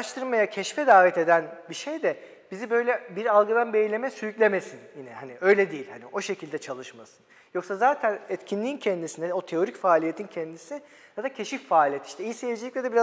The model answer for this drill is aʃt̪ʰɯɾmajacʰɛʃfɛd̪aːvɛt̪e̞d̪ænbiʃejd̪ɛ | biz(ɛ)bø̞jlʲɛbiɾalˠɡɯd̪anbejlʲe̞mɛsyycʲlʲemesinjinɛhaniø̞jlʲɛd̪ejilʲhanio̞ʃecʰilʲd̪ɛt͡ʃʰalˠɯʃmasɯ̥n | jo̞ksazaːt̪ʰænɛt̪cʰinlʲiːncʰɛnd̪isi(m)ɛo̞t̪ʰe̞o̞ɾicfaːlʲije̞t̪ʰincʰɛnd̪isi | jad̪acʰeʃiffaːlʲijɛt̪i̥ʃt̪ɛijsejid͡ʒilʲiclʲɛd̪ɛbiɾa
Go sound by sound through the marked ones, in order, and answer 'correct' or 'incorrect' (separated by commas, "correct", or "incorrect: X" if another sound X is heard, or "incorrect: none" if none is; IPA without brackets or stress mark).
incorrect: i, incorrect: n